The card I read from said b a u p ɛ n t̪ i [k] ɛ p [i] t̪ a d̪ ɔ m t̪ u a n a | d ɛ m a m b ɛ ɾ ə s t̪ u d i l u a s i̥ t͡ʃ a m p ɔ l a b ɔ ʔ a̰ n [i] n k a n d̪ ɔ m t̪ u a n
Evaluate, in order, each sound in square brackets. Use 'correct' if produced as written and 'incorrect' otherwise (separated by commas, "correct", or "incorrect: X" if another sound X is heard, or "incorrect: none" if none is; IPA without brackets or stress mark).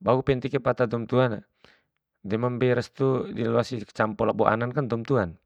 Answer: correct, incorrect: a, incorrect: a